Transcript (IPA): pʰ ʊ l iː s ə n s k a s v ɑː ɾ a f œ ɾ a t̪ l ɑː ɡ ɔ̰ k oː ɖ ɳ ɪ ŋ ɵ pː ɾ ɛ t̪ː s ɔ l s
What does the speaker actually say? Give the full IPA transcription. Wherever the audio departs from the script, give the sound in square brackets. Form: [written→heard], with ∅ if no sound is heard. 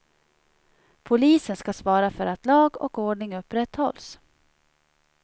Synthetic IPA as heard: pʰ ʊ l iː s ə n s k a s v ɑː ɾ a f œ ɾ a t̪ l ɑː ɡ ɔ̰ k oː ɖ ɳ ɪ ŋ ɵ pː ɾ ɛ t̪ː [s→h] ɔ l s